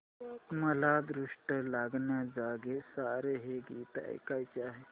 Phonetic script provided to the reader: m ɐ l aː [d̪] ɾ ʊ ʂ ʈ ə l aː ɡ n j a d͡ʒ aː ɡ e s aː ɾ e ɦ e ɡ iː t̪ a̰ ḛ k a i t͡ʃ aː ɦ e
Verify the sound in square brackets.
correct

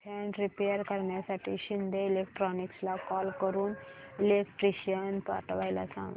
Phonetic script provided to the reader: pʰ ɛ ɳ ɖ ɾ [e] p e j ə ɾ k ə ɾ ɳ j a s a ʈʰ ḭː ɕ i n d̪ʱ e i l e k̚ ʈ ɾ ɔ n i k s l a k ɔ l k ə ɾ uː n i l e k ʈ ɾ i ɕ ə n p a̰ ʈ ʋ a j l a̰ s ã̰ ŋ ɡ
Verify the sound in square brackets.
incorrect: i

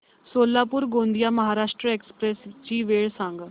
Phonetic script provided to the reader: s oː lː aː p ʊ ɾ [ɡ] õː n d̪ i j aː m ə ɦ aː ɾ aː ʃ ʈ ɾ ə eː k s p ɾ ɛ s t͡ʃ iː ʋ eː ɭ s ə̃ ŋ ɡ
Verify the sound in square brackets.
correct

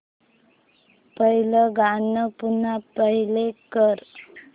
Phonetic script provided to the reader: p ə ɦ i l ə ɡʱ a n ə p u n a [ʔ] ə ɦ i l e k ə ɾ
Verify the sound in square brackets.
incorrect: p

